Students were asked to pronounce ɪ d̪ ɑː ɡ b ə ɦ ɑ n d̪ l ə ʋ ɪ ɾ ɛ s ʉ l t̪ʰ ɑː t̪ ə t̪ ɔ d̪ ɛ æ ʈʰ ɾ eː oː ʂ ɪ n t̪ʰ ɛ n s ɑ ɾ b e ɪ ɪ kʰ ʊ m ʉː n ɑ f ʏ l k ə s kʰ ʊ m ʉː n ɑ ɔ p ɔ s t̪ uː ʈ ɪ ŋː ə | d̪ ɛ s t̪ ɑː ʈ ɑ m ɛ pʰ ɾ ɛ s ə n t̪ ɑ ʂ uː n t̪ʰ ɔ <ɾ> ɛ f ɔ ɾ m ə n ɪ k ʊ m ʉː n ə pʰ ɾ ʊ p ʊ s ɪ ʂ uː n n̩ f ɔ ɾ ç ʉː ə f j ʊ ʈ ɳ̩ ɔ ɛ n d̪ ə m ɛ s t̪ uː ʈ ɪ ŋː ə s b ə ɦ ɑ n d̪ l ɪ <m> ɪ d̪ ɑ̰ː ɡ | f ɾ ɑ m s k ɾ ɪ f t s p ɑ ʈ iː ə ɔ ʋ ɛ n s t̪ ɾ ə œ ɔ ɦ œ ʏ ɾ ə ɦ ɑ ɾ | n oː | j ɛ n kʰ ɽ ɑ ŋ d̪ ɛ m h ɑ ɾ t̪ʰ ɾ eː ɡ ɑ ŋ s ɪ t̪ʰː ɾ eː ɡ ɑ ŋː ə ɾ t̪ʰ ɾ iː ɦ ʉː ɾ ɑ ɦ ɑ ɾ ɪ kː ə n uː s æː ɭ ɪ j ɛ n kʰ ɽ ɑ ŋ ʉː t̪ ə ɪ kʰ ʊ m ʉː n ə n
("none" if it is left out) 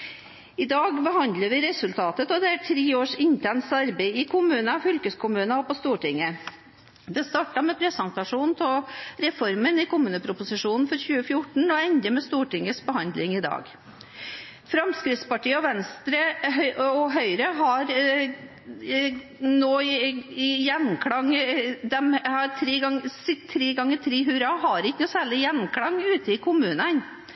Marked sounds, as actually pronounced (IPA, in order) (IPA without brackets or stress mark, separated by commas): ɾ, ŋ